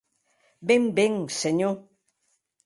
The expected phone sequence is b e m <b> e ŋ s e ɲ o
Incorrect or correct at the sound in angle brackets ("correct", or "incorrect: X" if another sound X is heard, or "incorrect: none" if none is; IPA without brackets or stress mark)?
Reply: correct